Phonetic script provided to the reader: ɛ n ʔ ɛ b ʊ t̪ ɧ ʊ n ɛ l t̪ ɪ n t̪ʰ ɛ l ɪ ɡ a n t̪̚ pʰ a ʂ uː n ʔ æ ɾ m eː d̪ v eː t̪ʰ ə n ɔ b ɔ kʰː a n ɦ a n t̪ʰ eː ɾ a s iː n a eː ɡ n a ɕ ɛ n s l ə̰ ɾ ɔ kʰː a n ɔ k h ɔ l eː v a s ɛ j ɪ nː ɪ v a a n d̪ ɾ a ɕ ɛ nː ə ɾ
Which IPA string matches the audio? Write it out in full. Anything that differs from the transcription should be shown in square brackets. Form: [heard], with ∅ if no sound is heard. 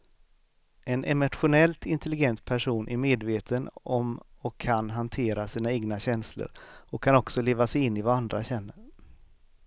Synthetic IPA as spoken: ɛ n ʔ ɛ [m] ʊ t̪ ɧ ʊ n ɛ l t̪ ɪ n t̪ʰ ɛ l ɪ ɡ [ɛ] n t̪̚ pʰ [æ] ʂ uː n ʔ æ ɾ m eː d̪ v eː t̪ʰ ə n ɔ [m] ɔ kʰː a n ɦ a n t̪ʰ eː ɾ a s iː n a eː ɡ n a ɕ ɛ n s l ə̰ ɾ ɔ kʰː a n ɔ k [s] ɔ l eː v a s ɛ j ɪ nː ɪ v a a n d̪ ɾ a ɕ ɛ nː ə ɾ

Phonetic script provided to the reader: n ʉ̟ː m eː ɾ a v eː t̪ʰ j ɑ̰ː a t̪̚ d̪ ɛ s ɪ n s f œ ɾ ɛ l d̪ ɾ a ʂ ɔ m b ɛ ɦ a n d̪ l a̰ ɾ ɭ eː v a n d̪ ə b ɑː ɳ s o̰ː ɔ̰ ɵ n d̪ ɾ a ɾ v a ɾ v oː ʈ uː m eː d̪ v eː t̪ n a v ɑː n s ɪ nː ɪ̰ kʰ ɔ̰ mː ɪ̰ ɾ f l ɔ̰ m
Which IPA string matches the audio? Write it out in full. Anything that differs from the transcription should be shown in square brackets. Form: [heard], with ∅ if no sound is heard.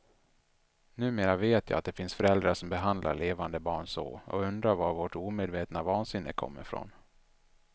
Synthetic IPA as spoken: n ʉ̟ː m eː ɾ a v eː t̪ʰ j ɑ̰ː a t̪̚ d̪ ɛ [f] ɪ n s f œ ɾ ɛ l d̪ ɾ a ʂ ɔ m b ɛ ɦ a n d̪ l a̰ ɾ ɭ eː v a n d̪ ə b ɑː ɳ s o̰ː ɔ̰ ɵ n d̪ ɾ a ɾ v a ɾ v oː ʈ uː m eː d̪ v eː t̪ n a v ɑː n s ɪ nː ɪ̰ kʰ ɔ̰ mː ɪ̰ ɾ f [ɾ] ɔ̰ [n]

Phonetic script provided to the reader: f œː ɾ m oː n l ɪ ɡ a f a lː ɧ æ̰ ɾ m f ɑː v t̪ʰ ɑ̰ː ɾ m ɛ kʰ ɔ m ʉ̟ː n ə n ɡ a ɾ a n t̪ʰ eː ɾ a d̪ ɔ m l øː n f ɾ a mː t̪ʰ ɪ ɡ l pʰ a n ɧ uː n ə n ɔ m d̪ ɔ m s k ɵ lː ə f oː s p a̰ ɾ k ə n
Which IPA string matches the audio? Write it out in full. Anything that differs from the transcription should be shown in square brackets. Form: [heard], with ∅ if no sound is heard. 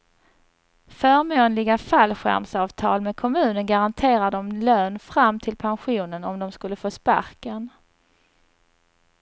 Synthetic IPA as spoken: f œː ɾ m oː n l ɪ ɡ a f a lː ɧ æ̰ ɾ m [s] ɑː v t̪ʰ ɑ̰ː [l] m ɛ kʰ ɔ m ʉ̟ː n ə n ɡ a ɾ a n t̪ʰ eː ɾ a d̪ ɔ m l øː n f ɾ a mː t̪ʰ ɪ [∅] l pʰ a n ɧ uː n ə n ɔ m d̪ ɔ m s k ɵ lː ə f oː s p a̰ ɾ k ə n

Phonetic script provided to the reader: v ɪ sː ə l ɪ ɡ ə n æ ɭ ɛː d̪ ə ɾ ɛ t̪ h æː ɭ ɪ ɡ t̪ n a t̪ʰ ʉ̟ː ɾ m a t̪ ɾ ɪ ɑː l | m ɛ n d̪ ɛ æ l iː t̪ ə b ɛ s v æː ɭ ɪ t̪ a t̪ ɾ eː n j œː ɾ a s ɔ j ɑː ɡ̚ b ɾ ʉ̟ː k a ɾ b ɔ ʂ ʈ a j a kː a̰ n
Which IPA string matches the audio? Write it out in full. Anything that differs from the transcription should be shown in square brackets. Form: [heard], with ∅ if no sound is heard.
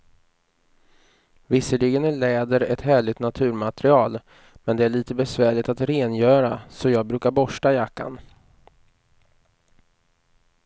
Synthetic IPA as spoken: v ɪ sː ə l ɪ ɡ ə n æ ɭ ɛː d̪ ə ɾ ɛ t̪ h æː ɭ ɪ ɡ t̪ n a t̪ʰ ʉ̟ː ɾ m a t̪ ɾ ɪ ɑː l | m ɛ n d̪ ɛ æ [ɭ] iː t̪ ə b ɛ s v æː ɭ ɪ t̪ a t̪ ɾ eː n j œː ɾ a s ɔ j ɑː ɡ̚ b ɾ ʉ̟ː k a ɾ b ɔ ʂ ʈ a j a kː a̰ n

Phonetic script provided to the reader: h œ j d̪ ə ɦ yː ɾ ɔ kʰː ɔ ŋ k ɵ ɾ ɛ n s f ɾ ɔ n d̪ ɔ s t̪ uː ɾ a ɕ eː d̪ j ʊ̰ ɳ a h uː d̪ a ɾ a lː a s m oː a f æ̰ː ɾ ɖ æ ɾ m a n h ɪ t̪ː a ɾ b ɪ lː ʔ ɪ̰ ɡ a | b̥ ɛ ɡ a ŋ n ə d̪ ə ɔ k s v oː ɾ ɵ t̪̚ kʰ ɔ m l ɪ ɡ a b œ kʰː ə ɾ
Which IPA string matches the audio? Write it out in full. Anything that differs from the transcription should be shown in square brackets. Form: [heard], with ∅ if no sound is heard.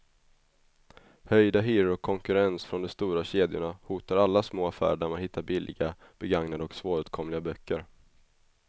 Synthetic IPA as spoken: h œ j d̪ [a] ɦ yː ɾ ɔ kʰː ɔ ŋ k ɵ ɾ ɛ n s f ɾ ɔ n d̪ ɔ s t̪ uː ɾ a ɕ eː d̪ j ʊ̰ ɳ a h uː [t̪] a ɾ a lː a s m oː a f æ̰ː ɾ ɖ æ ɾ m a n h ɪ t̪ː a ɾ b ɪ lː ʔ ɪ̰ ɡ a | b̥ ɛ ɡ a ŋ n [a] d̪ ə ɔ k s v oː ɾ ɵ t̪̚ kʰ ɔ m l ɪ ɡ a b œ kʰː ə ɾ

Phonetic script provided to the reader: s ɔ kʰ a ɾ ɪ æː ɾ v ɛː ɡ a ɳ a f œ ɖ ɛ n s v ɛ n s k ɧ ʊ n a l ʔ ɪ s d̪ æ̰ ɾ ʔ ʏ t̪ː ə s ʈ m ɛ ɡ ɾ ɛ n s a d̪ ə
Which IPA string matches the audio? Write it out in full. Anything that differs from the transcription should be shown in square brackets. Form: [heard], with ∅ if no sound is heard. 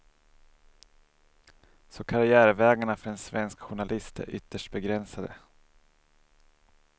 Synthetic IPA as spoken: s ɔ kʰ a ɾ ɪ æː ɾ v ɛː ɡ a ɳ a f œ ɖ ɛ n s v ɛ n s k ɧ ʊ [ɳ] a l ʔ ɪ s [t̪] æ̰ ɾ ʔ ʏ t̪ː ə [ʂ] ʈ [b] ɛ ɡ ɾ ɛ n s a d̪ ə

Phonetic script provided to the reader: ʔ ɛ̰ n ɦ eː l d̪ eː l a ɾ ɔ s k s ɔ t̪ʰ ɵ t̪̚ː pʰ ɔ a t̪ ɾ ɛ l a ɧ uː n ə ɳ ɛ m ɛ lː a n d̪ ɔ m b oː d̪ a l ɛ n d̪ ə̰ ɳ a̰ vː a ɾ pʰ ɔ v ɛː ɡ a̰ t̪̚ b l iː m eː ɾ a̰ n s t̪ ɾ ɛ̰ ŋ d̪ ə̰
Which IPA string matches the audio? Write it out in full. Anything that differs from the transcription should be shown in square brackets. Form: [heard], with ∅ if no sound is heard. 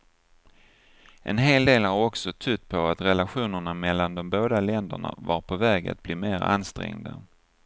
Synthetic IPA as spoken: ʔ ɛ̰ n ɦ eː l d̪ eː l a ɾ ɔ [∅] k s ɔ t̪ʰ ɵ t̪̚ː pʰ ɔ a t̪ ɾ ɛ l a ɧ uː n ə ɳ [a] m ɛ lː a n d̪ ɔ m b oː d̪ a l ɛ n d̪ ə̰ ɳ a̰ [v] a ɾ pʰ ɔ v ɛː ɡ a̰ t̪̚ b l iː m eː ɾ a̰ n s t̪ ɾ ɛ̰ ŋ d̪ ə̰

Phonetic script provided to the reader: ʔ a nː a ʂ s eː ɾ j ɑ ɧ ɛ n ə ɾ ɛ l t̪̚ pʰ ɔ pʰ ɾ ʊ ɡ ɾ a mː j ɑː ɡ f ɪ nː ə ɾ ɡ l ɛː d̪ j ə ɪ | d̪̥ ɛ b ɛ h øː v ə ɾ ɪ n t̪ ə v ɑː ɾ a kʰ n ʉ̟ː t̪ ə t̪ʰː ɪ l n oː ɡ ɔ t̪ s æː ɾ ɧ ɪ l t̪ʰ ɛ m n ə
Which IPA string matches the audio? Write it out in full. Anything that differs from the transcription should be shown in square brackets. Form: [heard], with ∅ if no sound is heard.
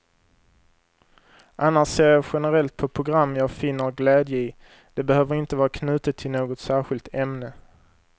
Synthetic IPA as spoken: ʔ a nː a ʂ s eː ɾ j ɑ ɧ ɛ n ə ɾ ɛ l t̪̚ pʰ ɔ pʰ ɾ ʊ ɡ ɾ a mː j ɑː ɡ f ɪ nː ə ɾ ɡ l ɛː d̪ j ə ɪ | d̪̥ ɛ b ɛ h øː v ə ɾ ɪ n t̪ ə v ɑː ɾ a kʰ n ʉ̟ː t̪ ə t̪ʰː ɪ l n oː ɡ ɔ t̪ s æː ɾ ɧ ɪ l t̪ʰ ɛ m n ə

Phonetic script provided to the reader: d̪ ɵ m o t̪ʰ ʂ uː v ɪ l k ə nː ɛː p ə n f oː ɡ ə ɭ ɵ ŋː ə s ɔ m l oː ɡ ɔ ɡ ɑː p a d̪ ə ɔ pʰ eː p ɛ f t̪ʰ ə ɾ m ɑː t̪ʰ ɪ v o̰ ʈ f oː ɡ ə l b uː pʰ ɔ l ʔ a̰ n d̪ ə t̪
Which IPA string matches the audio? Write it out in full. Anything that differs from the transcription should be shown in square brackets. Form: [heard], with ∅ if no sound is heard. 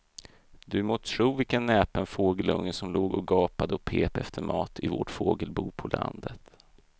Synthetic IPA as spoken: d̪ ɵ m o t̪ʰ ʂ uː v ɪ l k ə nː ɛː p ə n f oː ɡ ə [l] ɵ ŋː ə s ɔ m l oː ɡ ɔ ɡ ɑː p a d̪ ə ɔ pʰ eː p ɛ f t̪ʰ ə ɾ m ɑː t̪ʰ ɪ v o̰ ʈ f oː ɡ ə l b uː pʰ ɔ l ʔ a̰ n d̪ ə t̪

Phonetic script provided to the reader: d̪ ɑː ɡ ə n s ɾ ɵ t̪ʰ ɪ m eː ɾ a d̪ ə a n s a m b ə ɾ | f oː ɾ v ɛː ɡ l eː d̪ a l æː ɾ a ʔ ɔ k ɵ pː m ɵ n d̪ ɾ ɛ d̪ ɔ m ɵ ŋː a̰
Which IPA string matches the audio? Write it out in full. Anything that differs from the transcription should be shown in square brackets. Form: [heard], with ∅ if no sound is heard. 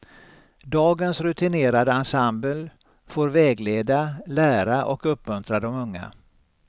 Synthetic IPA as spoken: d̪ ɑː ɡ ə n s ɾ ɵ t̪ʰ ɪ [n] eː ɾ a d̪ ə a n s a m b ə [l] | f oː ɾ v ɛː ɡ l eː d̪ a l æː ɾ a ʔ ɔ k ɵ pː m ɵ n [t̪] ɾ [a] d̪ ɔ m ɵ ŋː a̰

